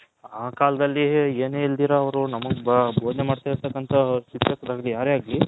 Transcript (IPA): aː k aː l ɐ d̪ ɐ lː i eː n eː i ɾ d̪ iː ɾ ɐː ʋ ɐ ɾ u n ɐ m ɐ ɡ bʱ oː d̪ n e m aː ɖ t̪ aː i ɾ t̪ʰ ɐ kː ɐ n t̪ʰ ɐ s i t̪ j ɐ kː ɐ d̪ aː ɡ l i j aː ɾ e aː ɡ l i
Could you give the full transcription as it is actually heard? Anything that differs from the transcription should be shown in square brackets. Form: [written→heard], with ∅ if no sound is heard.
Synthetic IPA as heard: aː k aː l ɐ d̪ ɐ lː i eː n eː i [ɾ→l] d̪ iː ɾ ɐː ʋ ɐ ɾ u n ɐ m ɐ ɡ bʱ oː d̪ n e m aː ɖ t̪ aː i ɾ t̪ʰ ɐ kː ɐ n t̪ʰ ɐ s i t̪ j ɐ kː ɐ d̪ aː ɡ l i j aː ɾ e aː ɡ l i